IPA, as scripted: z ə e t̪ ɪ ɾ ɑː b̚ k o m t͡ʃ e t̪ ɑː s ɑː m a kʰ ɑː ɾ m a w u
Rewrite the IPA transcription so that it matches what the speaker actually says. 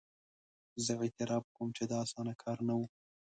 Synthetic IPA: z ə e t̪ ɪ ɾ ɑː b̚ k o m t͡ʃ e d̪ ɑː s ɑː n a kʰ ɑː ɾ n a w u